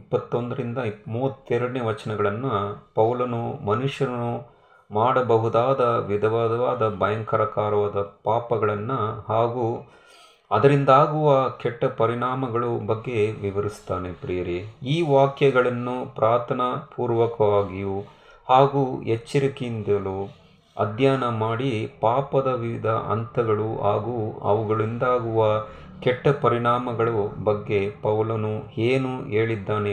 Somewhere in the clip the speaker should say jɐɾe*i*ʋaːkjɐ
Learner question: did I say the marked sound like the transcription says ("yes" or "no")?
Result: no